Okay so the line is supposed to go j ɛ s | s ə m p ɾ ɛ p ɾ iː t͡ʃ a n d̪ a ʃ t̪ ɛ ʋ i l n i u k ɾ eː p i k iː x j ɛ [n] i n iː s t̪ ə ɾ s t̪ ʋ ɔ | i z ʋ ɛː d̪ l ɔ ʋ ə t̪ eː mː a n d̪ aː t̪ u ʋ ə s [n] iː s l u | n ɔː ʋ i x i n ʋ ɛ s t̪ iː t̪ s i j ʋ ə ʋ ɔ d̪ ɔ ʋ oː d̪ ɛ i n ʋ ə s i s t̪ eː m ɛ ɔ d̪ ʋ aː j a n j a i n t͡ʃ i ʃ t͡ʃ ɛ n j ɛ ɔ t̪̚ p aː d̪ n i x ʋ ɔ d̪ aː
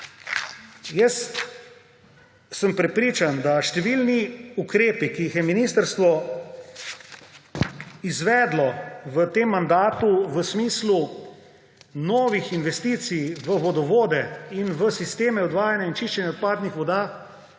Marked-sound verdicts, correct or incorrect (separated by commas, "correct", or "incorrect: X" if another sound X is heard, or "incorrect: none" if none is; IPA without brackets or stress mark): incorrect: m, incorrect: m